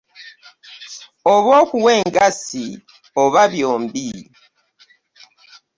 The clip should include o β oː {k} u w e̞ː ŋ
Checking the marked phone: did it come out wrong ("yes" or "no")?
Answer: no